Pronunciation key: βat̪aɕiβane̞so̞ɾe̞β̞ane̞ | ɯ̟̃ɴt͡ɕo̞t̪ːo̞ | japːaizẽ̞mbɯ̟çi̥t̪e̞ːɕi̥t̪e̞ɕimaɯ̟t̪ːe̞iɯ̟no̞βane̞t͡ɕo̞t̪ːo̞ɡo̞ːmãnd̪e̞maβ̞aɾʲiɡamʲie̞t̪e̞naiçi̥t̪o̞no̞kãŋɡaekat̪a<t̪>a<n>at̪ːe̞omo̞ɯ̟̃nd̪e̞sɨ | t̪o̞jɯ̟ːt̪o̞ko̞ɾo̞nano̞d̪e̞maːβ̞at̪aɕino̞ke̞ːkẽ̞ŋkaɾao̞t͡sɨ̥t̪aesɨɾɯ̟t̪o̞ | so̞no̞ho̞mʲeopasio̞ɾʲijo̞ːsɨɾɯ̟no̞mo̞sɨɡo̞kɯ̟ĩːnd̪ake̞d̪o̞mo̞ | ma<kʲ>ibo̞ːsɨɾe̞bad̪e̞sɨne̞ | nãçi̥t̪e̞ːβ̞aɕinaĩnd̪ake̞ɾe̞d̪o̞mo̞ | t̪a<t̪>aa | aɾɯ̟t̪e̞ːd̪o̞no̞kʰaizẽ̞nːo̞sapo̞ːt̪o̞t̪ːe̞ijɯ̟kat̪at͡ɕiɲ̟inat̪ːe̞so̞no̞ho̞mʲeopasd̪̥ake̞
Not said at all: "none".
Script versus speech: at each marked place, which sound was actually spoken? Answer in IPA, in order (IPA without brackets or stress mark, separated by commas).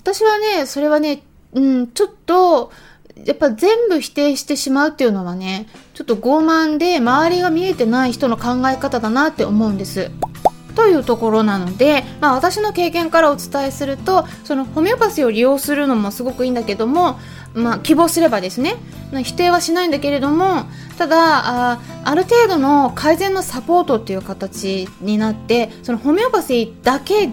d̪, n, kʲ, d̪